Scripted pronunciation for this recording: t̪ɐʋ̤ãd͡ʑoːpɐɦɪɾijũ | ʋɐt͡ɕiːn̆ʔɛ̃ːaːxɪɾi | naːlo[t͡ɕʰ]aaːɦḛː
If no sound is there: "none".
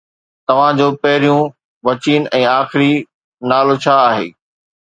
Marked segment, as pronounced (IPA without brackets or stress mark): t͡ɕʰ